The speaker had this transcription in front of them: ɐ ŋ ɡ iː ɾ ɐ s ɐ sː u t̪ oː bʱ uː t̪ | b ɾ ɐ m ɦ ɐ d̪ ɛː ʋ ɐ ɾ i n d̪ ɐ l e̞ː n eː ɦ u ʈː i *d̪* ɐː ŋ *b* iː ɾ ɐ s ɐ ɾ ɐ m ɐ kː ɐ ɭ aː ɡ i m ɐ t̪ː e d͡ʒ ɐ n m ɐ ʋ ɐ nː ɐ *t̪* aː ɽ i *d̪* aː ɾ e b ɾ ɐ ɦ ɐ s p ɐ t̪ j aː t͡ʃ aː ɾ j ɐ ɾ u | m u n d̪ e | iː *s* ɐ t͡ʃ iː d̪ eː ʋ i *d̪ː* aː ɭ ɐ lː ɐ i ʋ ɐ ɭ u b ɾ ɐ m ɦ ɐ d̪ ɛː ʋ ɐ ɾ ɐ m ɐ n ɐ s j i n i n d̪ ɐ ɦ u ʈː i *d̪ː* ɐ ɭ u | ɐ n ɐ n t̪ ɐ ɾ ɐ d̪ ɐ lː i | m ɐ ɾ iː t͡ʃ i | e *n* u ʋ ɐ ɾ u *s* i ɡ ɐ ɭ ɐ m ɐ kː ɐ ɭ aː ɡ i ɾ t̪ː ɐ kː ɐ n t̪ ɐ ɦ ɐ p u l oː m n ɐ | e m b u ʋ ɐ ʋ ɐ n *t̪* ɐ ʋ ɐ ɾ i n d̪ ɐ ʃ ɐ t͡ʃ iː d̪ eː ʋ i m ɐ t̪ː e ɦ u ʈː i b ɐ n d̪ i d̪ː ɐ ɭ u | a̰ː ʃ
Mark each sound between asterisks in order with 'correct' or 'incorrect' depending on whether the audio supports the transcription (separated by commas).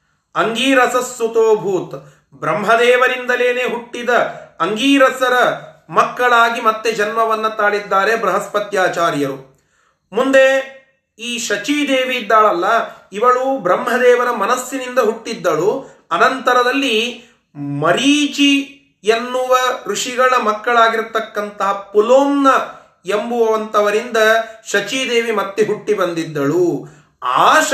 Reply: correct, incorrect, correct, incorrect, incorrect, correct, correct, incorrect, incorrect, correct